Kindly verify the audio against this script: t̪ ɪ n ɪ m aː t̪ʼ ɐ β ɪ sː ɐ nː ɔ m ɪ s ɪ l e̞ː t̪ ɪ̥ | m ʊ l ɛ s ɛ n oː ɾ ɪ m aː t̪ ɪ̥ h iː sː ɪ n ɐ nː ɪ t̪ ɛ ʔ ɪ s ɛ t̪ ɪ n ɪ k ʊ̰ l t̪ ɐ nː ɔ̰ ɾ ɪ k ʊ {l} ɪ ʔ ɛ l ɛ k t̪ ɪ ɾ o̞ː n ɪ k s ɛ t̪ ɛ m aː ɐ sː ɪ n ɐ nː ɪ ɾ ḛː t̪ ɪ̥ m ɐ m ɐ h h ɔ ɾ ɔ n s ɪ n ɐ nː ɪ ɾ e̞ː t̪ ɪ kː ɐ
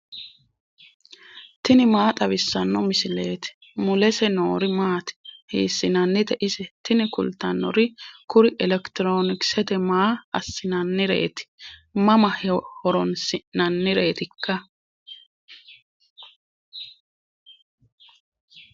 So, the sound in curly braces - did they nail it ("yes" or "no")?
no